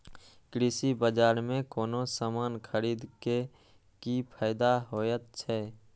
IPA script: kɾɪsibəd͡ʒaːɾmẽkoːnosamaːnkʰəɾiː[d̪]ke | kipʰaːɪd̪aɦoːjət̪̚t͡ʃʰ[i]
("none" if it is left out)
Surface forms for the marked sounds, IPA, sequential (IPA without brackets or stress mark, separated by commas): d̪, ɛ